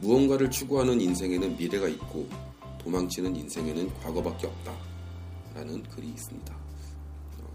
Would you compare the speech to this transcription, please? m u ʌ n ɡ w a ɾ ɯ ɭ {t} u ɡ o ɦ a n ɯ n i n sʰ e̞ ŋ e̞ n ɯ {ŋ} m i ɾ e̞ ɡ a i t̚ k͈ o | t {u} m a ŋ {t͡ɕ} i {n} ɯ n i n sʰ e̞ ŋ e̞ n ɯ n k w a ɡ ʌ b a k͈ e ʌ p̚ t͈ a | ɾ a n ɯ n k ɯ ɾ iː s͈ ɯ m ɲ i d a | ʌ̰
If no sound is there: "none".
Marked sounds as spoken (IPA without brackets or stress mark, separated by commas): t͡ɕʰ, n, o, t͡ɕʰ, n